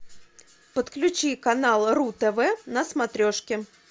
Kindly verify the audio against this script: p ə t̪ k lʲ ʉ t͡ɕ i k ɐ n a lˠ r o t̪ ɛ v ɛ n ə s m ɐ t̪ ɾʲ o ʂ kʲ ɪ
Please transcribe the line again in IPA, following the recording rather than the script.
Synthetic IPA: p ə t̪ k lʲ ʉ t͡ɕ i k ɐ n a lˠ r u t̪ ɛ v ɛ n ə s m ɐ t̪ ɾʲ o ʂ kʲ ɪ